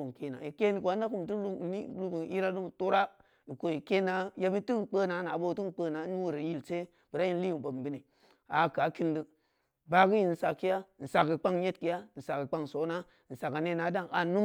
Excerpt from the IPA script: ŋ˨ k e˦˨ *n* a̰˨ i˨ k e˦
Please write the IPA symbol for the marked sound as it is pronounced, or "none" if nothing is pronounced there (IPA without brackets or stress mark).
n